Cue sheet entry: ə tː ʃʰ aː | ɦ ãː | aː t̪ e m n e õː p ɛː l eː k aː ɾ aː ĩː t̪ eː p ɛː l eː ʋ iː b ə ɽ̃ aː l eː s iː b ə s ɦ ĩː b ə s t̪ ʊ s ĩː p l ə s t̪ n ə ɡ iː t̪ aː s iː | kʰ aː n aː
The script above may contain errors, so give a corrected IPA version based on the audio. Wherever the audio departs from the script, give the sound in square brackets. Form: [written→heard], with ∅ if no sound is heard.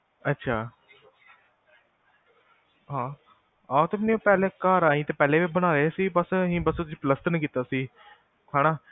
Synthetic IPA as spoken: ə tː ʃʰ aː | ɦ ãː | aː t̪ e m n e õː p ɛː l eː k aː ɾ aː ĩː t̪ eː p ɛː l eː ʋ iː b ə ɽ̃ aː [l→ɾ] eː s iː b ə s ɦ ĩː b ə s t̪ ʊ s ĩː p l ə s t̪ n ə [ɡ→k] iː t̪ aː s iː | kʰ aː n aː